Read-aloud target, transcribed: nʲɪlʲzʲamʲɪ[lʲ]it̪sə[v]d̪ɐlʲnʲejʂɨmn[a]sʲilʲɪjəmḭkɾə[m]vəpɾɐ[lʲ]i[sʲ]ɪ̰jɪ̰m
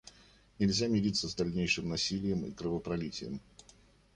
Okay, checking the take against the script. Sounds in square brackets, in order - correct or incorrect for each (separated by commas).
incorrect, incorrect, incorrect, incorrect, correct, incorrect